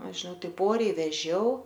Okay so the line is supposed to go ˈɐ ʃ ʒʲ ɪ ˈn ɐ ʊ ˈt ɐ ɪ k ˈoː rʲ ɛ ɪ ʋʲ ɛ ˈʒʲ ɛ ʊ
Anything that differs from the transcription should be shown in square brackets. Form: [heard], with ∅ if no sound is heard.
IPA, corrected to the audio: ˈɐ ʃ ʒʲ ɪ ˈn ɐ ʊ ˈt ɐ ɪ [p] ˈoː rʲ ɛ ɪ ʋʲ ɛ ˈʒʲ ɛ ʊ